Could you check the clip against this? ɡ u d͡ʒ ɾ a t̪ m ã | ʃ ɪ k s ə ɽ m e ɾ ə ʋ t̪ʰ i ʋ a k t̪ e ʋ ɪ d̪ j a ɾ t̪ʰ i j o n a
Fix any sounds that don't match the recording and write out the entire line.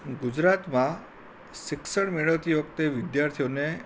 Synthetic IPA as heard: ɡ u d͡ʒ ɾ a t̪ m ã | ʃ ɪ k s ə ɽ m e ɭ ə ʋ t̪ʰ i ʋ ə k t̪ e ʋ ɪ d̪ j a ɾ t̪ʰ i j o n e